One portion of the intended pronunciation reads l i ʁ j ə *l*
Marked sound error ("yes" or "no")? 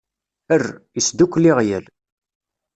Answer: no